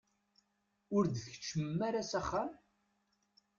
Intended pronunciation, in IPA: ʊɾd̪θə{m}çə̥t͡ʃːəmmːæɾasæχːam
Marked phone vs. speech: incorrect: none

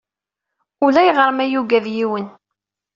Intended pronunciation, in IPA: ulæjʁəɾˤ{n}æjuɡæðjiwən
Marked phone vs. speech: incorrect: m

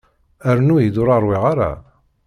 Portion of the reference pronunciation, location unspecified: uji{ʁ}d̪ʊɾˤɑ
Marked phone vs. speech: incorrect: none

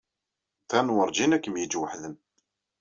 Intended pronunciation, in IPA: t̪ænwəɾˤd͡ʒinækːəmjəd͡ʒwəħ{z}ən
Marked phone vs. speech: incorrect: ð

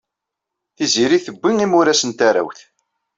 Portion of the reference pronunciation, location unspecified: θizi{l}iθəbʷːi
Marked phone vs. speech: incorrect: ɾ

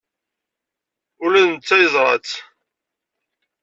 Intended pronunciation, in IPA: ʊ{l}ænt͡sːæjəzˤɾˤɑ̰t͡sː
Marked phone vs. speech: correct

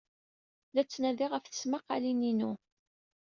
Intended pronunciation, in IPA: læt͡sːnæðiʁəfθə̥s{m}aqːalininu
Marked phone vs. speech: correct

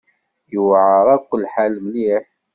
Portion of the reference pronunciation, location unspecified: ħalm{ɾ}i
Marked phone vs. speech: incorrect: l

